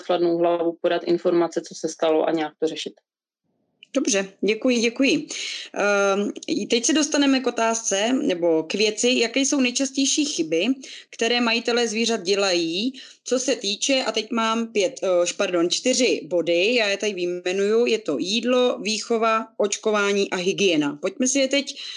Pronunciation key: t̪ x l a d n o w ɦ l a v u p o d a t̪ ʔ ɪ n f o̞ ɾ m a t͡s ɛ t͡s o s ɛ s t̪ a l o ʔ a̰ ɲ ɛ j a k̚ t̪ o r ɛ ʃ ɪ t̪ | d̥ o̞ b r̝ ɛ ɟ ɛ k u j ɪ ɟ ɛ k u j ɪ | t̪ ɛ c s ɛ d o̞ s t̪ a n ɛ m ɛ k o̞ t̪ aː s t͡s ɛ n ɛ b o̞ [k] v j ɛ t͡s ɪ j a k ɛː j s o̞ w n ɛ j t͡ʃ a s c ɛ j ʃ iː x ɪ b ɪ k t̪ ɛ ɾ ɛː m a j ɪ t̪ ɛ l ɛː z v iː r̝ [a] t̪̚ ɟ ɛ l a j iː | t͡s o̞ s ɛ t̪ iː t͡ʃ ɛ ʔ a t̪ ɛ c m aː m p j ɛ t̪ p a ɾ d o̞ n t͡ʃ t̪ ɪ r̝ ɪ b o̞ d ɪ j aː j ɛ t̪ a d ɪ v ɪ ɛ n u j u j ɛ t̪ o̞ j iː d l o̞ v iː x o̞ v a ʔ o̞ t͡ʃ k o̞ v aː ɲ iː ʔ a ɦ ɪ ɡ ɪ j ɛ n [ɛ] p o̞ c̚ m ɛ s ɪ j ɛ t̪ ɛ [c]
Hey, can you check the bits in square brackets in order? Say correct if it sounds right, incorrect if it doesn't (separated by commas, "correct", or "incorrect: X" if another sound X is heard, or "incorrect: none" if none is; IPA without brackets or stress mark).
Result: correct, correct, incorrect: a, correct